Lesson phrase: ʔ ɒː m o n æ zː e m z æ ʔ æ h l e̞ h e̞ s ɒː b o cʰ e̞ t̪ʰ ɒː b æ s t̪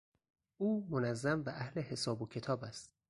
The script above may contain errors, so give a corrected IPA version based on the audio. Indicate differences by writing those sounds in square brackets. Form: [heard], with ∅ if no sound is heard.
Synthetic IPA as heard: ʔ [uː] m o n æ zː [æ] m [v] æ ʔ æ h l e̞ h e̞ s ɒː b o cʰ e̞ t̪ʰ ɒː b æ s t̪